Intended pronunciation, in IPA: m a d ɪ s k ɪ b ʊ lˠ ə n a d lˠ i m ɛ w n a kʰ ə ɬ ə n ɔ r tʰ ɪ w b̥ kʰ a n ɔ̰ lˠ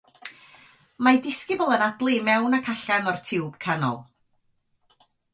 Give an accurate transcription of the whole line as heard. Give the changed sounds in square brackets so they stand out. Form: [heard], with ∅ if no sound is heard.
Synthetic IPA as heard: m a d ɪ s k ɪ b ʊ lˠ ə n a d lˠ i m ɛ w n a kʰ [a] ɬ [a] n ɔ r tʰ ɪ w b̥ kʰ a n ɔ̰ lˠ